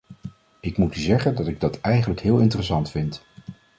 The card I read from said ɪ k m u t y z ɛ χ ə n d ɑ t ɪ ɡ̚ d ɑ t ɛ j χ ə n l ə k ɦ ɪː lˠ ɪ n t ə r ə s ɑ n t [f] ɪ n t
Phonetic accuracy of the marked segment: correct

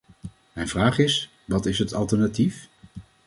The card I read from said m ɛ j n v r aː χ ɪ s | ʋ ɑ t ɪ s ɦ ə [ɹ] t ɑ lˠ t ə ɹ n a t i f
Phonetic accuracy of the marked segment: incorrect: none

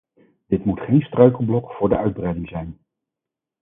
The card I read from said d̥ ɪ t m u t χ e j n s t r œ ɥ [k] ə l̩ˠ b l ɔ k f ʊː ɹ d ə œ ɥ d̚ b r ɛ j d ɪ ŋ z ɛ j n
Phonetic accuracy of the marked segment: correct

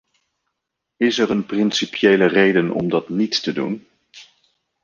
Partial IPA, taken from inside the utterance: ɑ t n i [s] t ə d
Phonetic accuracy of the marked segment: incorrect: t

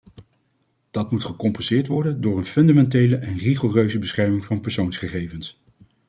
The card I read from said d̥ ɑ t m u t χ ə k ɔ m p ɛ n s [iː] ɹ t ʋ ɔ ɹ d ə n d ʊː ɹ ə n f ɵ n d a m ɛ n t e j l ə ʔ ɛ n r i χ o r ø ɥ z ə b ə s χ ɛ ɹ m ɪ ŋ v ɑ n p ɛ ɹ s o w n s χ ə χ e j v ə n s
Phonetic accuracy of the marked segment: incorrect: ɪː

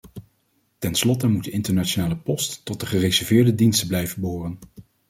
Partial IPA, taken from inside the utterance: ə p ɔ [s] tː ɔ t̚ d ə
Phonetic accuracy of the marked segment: correct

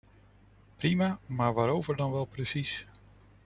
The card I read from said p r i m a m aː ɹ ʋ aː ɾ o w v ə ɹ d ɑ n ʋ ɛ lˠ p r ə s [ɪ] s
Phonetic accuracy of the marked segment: incorrect: i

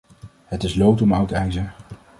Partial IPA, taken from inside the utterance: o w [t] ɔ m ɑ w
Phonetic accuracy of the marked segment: correct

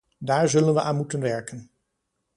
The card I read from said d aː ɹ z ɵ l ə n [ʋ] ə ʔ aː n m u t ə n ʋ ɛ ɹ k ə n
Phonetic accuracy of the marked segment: correct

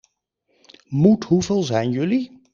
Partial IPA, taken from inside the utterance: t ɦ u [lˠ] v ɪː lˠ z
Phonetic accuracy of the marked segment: incorrect: none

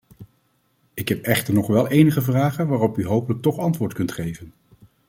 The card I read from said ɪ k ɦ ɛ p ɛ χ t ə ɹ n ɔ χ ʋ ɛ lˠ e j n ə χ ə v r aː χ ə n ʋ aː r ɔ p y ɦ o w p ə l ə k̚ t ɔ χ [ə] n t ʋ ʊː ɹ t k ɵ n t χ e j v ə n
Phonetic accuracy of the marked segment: incorrect: ɑ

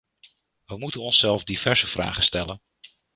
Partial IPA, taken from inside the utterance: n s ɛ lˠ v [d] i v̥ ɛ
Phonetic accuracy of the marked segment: correct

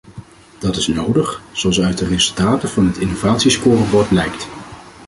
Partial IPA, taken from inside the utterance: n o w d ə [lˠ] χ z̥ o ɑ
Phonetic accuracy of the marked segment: incorrect: none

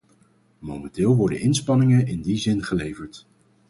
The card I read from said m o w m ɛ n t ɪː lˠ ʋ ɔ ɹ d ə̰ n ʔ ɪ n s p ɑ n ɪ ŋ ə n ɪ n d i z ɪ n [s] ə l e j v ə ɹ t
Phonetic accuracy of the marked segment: incorrect: χ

